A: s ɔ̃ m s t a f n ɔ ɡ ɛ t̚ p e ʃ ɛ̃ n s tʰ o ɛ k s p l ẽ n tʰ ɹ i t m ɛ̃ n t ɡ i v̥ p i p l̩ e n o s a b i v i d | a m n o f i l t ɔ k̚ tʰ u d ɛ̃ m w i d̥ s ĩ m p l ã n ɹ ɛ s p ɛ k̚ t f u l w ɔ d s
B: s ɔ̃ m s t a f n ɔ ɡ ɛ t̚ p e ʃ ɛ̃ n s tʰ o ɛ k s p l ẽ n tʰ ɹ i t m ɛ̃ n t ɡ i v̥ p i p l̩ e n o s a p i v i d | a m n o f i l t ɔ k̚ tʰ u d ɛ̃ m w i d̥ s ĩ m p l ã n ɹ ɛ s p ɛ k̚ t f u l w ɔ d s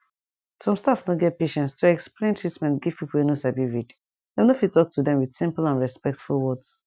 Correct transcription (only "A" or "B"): A